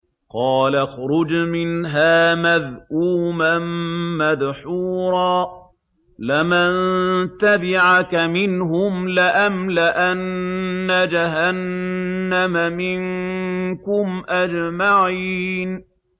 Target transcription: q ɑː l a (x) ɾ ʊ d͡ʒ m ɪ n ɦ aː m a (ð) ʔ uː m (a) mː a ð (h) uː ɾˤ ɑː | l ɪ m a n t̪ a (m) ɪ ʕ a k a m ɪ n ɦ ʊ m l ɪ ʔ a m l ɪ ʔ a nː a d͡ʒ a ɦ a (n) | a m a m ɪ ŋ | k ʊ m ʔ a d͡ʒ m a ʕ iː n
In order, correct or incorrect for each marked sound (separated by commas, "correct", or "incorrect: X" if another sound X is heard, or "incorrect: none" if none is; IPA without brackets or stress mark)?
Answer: correct, correct, correct, incorrect: ħ, incorrect: b, incorrect: nː